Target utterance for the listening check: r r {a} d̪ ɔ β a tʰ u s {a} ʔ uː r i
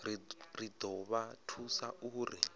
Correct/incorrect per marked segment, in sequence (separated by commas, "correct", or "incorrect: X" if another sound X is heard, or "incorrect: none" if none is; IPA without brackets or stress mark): incorrect: i, correct